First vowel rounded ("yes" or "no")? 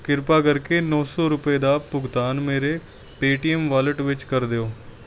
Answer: no